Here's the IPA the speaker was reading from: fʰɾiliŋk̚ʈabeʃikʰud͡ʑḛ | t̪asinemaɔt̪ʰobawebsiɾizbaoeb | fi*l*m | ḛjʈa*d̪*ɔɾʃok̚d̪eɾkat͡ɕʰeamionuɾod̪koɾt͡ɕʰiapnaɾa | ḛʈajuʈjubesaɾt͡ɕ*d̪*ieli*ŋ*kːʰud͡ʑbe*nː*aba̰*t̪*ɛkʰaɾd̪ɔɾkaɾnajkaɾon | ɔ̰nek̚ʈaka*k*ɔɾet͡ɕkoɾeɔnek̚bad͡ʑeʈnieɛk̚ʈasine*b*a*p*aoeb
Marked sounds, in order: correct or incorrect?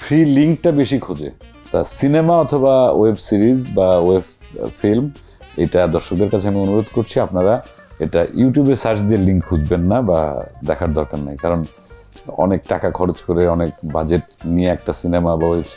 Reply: correct, correct, correct, correct, correct, incorrect, incorrect, incorrect, incorrect

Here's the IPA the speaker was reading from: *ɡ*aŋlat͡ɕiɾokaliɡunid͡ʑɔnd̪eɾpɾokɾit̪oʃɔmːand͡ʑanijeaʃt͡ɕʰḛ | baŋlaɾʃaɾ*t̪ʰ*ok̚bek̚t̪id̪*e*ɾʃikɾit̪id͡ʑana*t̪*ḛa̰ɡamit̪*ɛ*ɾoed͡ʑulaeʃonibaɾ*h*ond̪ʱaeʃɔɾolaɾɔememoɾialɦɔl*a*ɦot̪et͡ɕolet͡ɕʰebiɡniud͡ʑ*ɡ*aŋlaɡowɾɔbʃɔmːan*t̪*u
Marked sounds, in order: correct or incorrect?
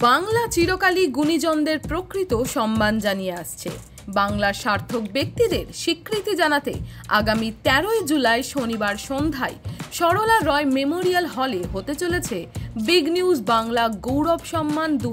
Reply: incorrect, correct, correct, correct, correct, incorrect, incorrect, incorrect, incorrect

